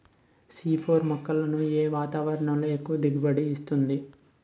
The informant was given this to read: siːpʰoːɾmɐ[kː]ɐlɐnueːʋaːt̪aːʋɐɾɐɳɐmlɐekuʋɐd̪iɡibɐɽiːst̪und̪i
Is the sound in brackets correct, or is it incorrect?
correct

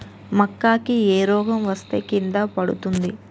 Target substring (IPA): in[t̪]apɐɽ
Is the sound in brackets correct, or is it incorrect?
incorrect: d̪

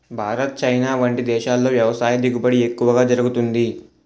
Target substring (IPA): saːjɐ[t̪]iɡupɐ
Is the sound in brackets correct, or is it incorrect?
incorrect: d̪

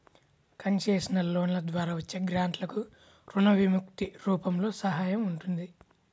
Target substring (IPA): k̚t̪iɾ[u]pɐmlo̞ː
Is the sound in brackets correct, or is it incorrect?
incorrect: uː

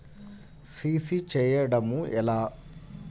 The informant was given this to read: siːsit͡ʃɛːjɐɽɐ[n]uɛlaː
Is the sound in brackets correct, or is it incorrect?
incorrect: m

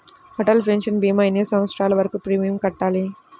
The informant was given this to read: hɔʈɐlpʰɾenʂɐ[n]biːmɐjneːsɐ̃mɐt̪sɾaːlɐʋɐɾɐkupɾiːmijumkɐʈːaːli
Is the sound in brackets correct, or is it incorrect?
correct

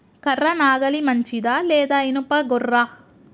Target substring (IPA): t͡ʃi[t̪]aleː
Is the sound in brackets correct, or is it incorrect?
incorrect: d̪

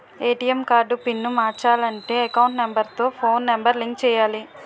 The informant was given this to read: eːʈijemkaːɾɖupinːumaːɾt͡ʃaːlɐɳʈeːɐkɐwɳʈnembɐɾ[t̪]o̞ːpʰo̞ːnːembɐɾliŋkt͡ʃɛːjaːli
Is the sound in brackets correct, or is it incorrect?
correct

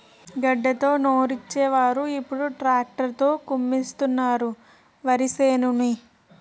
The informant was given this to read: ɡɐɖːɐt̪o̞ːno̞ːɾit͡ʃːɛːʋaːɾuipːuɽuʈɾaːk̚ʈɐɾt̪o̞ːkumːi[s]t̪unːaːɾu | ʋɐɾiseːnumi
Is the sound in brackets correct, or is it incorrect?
correct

